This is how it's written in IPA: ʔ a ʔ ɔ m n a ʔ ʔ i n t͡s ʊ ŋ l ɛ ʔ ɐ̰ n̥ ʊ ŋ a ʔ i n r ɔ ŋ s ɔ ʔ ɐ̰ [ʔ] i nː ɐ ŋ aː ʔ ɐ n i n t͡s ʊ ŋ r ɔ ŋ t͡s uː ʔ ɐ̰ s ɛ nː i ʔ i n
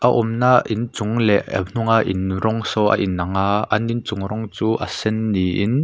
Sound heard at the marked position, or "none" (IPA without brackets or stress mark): ʔ